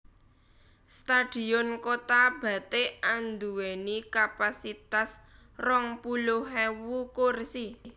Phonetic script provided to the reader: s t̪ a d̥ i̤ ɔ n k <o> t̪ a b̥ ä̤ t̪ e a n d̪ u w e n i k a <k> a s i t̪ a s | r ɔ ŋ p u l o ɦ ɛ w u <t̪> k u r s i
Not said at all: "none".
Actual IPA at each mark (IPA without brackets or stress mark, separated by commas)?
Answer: o, p, none